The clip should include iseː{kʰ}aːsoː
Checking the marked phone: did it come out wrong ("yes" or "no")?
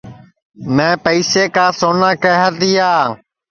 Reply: yes